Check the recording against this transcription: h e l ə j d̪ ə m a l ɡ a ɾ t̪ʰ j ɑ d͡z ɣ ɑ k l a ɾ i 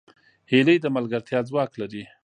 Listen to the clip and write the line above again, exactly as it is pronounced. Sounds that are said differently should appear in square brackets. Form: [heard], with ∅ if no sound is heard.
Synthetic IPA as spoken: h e l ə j d̪ ə m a l ɡ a ɾ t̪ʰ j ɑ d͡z [w] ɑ k l a ɾ i